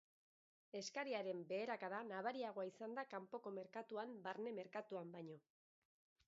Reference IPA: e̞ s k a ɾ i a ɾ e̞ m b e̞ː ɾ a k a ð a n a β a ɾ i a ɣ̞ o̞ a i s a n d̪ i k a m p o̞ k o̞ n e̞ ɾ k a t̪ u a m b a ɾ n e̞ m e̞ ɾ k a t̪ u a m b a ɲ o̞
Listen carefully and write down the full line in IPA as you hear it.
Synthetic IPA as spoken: e̞ s k a ɾ i a ɾ e̞ m b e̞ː ɾ a k a ð a n a β a ɾ i a ɣ̞ o̞ a i s a n d̪ a k a m p o̞ k o̞ m e̞ ɾ k a t̪ u a m b a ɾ n e̞ m e̞ ɾ k a t̪ u a m b a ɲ o̞